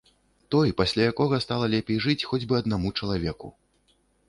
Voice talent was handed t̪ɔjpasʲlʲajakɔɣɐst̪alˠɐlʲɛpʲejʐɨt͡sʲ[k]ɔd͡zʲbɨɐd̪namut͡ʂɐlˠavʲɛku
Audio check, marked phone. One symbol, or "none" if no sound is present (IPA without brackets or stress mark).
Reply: x